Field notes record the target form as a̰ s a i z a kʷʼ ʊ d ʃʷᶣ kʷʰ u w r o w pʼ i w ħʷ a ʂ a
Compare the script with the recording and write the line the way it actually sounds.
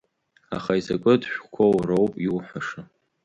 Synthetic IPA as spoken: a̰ χ a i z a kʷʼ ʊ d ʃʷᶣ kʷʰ o w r o w pʼ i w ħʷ a ʂ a